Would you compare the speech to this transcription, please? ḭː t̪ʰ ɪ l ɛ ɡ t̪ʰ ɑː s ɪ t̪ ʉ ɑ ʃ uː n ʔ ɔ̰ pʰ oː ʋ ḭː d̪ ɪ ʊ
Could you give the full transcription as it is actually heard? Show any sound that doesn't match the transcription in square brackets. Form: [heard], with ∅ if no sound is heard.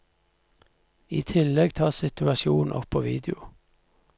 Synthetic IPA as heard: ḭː t̪ʰ ɪ l ɛ ɡ t̪ʰ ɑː s ɪ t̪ ʉ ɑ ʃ uː n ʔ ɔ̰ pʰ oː ʋ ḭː d̪ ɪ ʊ